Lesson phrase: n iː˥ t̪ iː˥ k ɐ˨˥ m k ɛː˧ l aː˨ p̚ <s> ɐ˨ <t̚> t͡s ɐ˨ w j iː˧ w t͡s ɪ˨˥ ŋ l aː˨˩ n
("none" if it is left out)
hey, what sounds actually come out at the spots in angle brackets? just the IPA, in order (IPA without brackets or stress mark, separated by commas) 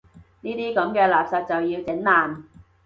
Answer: s, t̚